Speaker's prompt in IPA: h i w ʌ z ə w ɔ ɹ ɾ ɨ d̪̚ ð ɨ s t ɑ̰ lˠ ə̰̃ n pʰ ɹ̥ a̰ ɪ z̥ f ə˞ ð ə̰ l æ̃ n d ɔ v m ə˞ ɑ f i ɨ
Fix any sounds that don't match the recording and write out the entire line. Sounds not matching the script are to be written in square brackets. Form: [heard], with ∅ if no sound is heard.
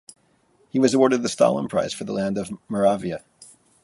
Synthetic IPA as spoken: h i w ʌ z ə w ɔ ɹ ɾ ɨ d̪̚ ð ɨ s t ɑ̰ lˠ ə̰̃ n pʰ ɹ̥ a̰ ɪ z̥ f ə˞ ð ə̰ l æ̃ n d [ʌ] v m ə˞ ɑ [v] i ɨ